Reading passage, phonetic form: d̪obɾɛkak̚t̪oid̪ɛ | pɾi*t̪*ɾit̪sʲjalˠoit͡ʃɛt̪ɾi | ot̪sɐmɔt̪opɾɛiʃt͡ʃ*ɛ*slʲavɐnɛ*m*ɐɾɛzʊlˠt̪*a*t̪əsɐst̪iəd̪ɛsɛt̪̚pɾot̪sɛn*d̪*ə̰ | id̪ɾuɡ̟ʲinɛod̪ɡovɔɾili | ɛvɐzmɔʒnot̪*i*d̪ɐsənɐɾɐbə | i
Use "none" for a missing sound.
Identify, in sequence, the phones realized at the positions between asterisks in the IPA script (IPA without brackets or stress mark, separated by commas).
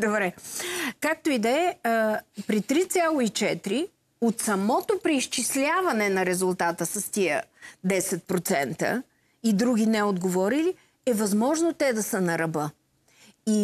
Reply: t̪, i, n, a, t̪, ɛ